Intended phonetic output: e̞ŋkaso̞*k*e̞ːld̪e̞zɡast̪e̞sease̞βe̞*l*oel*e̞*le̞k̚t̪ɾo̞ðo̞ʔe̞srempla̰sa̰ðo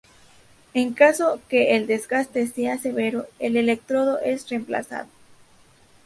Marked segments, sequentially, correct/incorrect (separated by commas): correct, incorrect, correct